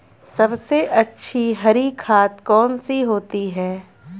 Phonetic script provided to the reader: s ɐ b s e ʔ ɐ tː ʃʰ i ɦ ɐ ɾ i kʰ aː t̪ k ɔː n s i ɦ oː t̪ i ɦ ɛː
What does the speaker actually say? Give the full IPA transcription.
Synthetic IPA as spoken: s ɐ b s e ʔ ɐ tː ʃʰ i ɦ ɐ ɾ i kʰ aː t̪ k ɔː n s i ɦ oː t̪ i ɦ ɛː

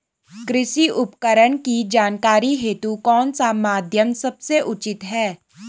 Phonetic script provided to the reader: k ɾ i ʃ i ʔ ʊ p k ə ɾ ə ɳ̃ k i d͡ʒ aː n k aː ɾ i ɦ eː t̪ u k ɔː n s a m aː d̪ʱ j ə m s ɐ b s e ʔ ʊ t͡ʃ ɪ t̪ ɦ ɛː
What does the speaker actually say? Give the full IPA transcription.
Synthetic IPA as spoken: k ɾ ɪ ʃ i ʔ ʊ p k ə ɾ ə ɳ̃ k i d͡ʒ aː n k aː ɾ i ɦ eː t̪ u k ɔː n s a m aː d̪ʱ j ə m s ɐ b s e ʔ ʊ t͡ʃ ɪ t̪ ɦ ɛː

